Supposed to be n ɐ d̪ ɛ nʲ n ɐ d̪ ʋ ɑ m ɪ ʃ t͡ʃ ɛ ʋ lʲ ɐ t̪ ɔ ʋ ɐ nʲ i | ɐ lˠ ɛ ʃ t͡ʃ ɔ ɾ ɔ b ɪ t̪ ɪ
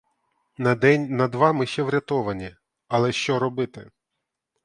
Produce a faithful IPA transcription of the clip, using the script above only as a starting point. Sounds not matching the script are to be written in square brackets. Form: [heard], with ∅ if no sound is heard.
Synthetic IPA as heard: n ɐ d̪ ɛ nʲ n ɐ d̪ ʋ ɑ m ɪ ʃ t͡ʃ ɛ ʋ [ɾʲ] ɐ t̪ ɔ ʋ ɐ nʲ i | ɐ lˠ ɛ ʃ t͡ʃ ɔ ɾ ɔ b ɪ t̪ ɪ